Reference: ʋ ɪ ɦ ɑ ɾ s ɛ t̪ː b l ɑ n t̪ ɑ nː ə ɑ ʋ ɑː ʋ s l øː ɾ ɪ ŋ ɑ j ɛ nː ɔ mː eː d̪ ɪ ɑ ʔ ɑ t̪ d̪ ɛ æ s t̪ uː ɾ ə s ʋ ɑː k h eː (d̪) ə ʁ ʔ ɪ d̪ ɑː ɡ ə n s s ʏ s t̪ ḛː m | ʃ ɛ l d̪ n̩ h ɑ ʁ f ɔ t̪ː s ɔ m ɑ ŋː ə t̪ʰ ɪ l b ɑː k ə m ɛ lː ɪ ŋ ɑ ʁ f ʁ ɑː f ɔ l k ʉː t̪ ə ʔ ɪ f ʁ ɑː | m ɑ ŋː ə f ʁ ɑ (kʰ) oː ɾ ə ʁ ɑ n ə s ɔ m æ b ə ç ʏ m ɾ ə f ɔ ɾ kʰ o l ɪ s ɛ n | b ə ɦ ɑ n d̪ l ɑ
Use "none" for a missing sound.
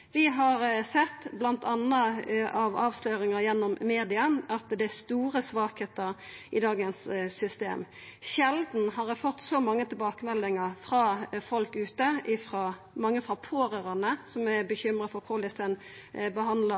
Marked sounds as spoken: t̪, pʰ

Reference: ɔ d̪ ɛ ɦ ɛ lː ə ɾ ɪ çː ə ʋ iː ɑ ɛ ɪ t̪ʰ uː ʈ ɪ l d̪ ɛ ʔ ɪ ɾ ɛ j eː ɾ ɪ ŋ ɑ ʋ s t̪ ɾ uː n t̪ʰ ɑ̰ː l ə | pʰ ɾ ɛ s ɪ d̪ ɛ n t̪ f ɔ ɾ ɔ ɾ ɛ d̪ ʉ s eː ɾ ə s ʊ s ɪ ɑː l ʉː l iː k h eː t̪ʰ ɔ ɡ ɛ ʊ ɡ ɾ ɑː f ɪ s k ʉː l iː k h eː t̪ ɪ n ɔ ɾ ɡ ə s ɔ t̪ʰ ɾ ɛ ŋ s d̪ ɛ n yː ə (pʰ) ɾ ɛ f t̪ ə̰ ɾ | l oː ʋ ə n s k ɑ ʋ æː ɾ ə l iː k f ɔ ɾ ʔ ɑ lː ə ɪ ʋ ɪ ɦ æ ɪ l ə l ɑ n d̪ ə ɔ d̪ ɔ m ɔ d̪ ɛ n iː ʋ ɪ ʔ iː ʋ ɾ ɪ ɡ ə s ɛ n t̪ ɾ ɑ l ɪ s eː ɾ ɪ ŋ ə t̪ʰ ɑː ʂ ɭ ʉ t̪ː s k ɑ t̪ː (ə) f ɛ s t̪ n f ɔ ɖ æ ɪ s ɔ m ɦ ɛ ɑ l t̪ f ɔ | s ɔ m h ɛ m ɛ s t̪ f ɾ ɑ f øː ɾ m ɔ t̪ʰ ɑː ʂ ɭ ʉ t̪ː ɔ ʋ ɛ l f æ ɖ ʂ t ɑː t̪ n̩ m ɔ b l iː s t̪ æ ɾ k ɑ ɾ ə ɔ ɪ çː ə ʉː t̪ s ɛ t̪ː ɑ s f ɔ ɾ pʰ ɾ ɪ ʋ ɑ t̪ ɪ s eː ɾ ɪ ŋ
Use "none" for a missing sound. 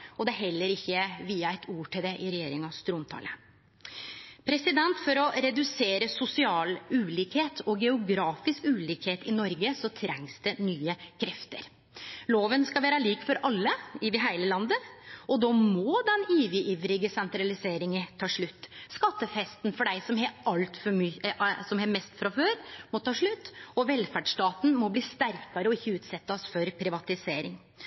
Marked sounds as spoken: kʰ, ə

